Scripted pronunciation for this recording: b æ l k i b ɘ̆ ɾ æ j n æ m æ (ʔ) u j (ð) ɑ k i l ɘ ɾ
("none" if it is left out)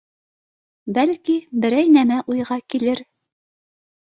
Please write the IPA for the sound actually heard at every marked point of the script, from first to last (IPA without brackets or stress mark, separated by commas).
ʔ, ʁ